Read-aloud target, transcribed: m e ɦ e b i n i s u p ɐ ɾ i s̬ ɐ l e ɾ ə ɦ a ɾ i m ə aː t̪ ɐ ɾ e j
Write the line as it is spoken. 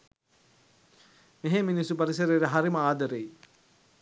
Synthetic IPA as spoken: m e ɦ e m i n i s u p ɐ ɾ i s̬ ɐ ɾ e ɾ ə ɦ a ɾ i m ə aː d̪ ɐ ɾ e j